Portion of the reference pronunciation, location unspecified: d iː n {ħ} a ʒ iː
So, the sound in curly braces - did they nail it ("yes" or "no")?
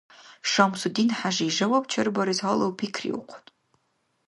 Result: yes